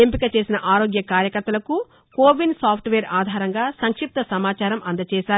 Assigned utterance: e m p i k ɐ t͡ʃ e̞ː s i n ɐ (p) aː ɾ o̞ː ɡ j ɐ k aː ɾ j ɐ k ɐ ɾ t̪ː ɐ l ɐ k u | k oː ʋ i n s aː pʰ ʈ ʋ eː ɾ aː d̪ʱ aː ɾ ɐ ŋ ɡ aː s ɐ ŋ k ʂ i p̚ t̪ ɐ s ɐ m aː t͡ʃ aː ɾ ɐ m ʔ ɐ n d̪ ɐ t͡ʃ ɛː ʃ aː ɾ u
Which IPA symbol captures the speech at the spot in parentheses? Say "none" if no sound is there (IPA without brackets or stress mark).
ʔ